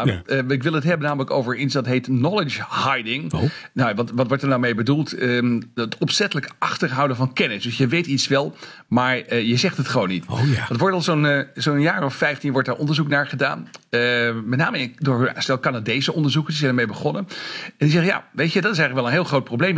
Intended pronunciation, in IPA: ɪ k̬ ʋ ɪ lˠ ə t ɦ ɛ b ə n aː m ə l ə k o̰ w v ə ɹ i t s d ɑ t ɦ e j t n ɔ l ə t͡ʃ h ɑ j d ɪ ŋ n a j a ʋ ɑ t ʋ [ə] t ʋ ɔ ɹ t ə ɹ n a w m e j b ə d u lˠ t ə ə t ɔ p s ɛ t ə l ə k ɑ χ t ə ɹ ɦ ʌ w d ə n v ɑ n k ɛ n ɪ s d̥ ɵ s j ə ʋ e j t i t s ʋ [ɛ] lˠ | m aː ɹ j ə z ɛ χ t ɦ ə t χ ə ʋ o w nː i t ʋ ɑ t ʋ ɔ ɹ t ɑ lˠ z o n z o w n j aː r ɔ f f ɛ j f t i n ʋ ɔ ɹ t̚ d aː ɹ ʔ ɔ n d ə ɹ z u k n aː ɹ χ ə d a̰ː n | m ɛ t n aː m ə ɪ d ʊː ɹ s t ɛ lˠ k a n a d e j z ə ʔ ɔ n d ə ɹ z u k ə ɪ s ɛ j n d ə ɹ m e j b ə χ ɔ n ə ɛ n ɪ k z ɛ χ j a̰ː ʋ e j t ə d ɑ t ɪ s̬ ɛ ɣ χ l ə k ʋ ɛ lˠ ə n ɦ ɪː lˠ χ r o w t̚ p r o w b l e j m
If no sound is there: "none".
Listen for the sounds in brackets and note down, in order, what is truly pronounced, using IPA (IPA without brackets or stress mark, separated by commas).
ɑ, ɛ